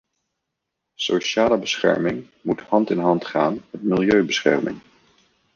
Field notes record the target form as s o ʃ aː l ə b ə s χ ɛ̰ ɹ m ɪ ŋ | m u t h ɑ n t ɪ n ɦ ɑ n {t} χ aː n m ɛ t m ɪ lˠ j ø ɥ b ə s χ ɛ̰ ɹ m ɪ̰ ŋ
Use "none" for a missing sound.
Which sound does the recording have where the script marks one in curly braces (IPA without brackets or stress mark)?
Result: t